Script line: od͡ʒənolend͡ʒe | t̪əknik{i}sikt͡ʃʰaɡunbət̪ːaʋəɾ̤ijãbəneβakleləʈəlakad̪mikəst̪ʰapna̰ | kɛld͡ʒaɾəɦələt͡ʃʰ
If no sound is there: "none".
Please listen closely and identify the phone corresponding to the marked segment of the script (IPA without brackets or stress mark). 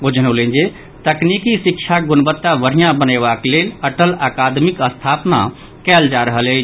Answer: i